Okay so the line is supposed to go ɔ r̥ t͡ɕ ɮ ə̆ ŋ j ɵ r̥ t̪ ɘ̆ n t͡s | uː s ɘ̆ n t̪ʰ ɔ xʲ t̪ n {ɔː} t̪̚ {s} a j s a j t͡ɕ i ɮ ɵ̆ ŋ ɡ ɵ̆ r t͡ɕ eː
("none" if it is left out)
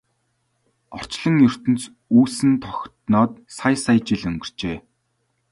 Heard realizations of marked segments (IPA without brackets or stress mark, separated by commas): ɔː, s